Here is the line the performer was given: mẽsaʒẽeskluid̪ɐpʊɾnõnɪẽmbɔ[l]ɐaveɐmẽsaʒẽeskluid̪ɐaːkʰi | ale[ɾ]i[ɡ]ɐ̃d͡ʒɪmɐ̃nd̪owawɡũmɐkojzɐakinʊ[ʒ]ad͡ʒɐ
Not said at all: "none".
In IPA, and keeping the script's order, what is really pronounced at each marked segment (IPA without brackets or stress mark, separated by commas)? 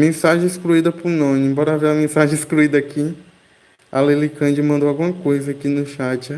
ɾ, l, k, ʃ